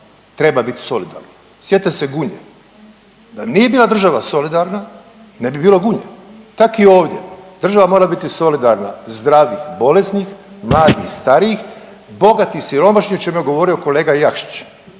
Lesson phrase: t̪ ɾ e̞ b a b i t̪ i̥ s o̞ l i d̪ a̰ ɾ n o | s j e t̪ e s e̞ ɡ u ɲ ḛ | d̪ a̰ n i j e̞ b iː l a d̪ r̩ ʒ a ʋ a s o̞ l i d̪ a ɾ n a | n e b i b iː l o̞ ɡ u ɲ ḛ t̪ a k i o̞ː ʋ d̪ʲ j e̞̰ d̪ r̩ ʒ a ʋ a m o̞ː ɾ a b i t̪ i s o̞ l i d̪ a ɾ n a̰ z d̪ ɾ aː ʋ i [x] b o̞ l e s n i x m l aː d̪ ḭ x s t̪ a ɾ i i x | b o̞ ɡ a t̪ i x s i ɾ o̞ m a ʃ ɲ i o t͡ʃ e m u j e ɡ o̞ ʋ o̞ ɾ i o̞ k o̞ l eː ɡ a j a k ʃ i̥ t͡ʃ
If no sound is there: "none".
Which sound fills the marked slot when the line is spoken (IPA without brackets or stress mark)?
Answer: x